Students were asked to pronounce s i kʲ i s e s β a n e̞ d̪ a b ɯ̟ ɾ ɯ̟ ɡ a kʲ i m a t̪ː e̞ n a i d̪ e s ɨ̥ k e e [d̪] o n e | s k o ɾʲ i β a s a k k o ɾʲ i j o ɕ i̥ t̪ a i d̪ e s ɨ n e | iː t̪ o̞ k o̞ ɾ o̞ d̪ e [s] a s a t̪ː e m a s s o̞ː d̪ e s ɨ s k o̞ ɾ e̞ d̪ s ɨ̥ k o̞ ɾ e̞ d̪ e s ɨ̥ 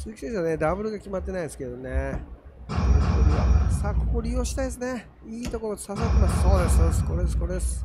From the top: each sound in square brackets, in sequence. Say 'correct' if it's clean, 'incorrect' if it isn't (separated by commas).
correct, correct